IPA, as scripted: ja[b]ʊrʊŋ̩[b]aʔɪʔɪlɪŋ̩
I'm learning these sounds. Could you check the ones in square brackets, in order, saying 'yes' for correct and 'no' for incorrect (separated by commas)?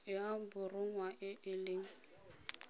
yes, no